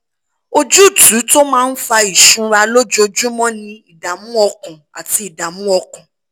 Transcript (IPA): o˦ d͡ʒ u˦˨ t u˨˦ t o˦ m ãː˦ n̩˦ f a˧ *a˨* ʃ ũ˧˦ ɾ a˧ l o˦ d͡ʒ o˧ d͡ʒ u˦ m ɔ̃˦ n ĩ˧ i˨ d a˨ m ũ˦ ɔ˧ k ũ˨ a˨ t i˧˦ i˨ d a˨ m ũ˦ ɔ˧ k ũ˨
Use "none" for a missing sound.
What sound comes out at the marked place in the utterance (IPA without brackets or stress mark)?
i˨